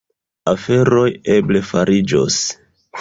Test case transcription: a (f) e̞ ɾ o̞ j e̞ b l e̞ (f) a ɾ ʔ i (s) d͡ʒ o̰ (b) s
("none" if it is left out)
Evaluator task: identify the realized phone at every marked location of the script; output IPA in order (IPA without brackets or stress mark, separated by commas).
f, f, none, none